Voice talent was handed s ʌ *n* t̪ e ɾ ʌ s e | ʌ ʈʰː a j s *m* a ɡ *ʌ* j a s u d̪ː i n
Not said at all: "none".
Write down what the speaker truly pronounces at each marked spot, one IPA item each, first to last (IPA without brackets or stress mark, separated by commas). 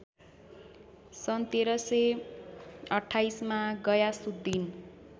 n, m, ʌ